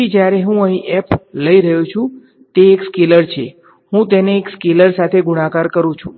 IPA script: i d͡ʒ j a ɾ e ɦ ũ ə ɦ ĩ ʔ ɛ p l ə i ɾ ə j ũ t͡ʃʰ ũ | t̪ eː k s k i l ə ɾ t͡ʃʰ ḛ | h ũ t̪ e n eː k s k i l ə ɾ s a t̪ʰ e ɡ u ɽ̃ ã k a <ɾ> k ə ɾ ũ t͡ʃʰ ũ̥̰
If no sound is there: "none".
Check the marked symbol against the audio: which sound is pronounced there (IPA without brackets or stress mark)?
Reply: ɾ